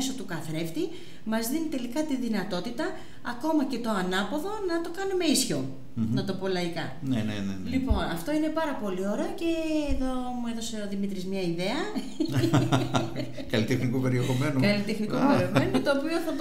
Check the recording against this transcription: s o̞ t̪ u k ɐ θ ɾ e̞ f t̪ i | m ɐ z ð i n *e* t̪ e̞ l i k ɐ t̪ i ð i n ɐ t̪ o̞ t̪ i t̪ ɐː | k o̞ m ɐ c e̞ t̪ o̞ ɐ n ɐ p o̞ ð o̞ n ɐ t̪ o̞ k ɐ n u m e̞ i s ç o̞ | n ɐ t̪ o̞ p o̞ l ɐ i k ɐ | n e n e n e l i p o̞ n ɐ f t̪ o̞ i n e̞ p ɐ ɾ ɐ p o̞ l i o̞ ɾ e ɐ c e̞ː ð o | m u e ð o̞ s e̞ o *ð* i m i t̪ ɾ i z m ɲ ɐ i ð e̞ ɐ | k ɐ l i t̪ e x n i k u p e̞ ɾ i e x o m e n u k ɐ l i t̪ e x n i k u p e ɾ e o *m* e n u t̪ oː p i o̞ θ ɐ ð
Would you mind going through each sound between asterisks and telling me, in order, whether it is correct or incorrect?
incorrect: i, correct, correct

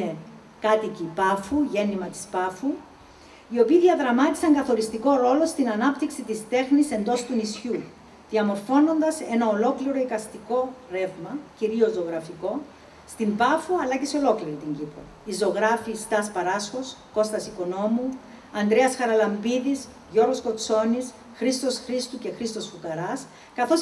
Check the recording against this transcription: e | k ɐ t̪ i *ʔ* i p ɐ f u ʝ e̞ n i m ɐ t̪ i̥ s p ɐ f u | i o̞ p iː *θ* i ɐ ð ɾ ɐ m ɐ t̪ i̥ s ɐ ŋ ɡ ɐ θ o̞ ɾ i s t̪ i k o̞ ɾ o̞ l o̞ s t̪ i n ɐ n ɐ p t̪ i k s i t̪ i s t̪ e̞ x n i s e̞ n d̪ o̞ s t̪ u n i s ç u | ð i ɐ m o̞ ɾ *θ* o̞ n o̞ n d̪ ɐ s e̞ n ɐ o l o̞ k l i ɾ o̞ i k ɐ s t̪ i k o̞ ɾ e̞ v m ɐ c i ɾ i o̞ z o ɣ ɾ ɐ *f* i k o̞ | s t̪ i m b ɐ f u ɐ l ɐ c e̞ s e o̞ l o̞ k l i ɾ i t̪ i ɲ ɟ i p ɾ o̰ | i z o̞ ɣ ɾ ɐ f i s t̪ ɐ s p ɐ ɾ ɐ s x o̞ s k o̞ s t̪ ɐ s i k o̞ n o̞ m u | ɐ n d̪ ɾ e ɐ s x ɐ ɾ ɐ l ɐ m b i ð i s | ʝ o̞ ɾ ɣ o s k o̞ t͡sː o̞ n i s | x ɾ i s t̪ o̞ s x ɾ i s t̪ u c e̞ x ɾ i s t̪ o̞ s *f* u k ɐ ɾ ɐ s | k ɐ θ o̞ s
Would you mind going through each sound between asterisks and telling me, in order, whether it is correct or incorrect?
incorrect: c, incorrect: ð, incorrect: f, correct, correct

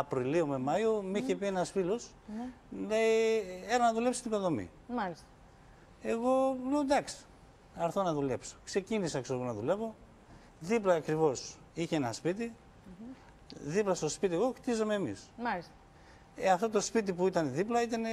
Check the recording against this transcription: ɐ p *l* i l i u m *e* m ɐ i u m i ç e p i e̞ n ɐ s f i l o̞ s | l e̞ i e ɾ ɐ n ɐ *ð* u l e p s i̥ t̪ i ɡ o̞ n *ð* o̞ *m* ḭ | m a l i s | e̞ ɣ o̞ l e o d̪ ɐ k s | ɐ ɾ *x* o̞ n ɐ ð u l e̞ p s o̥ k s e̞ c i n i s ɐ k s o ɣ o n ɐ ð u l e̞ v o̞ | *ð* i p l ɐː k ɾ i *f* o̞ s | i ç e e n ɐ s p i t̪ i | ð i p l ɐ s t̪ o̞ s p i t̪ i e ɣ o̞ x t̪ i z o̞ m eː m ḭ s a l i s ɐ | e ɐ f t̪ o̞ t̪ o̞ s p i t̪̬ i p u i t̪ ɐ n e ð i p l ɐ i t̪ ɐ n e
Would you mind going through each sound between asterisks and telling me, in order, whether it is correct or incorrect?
incorrect: ɾ, correct, correct, correct, correct, incorrect: θ, correct, incorrect: v

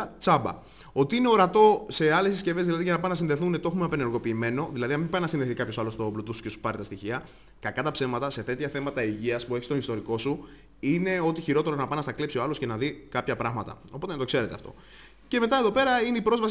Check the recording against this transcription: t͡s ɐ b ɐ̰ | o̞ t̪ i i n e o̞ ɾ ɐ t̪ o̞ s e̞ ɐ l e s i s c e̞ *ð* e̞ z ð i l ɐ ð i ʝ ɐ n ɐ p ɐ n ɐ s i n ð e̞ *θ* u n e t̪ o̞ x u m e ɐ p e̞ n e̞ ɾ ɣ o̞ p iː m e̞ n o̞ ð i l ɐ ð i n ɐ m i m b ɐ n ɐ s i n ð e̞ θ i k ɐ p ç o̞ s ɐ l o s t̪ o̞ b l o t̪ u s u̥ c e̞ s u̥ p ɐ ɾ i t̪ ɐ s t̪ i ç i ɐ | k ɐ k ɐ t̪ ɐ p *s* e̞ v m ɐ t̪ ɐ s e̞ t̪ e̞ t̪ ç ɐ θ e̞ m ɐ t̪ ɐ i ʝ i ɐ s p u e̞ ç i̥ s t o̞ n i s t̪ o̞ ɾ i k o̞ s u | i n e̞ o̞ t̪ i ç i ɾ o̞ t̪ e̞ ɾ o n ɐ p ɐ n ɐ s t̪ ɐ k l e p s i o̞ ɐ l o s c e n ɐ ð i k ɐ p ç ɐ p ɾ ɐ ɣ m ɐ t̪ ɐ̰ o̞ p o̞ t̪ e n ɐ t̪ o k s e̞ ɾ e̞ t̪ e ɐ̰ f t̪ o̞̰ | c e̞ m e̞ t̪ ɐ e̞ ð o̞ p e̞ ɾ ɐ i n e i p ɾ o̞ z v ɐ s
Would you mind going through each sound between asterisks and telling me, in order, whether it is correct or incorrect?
incorrect: v, correct, correct

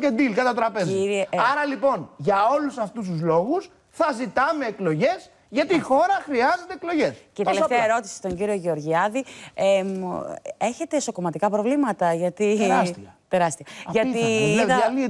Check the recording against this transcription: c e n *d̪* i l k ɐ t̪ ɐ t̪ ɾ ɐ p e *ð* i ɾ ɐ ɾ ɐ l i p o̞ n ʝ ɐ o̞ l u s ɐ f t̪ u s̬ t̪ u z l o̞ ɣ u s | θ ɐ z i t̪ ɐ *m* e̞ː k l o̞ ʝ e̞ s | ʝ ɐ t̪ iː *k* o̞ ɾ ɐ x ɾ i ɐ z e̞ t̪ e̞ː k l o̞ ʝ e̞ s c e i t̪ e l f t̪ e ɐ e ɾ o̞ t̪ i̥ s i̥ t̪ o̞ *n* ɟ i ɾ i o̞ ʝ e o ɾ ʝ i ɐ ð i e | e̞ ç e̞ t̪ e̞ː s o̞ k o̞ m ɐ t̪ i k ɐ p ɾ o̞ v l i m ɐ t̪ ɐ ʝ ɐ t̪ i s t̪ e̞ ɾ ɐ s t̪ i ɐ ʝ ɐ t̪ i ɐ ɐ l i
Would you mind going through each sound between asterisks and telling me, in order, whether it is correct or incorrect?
correct, incorrect: z, correct, incorrect: x, incorrect: ɲ

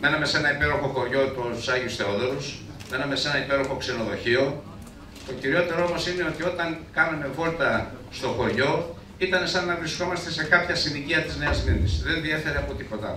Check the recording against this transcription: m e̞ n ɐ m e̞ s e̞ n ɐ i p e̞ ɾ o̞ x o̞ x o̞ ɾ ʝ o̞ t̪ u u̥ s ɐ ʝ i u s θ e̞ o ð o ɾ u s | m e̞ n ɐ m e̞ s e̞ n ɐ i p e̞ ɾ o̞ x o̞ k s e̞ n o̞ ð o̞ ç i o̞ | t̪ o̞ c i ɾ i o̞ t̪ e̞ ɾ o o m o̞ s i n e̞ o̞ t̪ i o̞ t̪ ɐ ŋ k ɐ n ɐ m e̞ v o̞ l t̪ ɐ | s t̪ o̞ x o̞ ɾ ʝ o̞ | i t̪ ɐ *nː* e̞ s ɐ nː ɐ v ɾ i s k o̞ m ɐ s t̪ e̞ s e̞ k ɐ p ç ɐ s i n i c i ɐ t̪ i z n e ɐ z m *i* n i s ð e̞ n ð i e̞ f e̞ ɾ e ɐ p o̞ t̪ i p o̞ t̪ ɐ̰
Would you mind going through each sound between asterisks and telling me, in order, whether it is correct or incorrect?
incorrect: n, correct

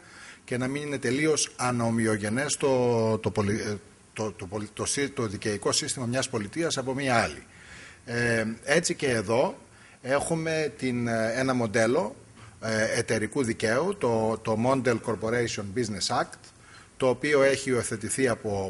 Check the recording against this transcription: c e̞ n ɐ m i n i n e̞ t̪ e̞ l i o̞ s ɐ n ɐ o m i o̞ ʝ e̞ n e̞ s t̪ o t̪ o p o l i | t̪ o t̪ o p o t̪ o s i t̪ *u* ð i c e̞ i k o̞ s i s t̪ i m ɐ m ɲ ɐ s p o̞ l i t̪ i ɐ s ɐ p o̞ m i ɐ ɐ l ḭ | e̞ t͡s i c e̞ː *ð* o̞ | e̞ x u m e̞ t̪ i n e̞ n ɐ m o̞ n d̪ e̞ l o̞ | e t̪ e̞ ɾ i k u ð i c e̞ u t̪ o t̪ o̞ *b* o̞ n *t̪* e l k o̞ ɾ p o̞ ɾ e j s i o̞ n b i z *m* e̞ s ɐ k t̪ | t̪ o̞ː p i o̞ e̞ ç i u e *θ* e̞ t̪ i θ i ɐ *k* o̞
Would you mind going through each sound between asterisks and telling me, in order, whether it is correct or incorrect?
incorrect: o, correct, incorrect: m, incorrect: d̪, incorrect: n, correct, incorrect: p

